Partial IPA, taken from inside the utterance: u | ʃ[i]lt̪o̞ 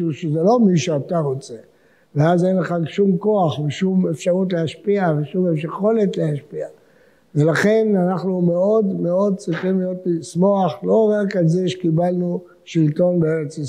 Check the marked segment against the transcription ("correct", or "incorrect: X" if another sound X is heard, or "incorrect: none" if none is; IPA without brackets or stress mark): correct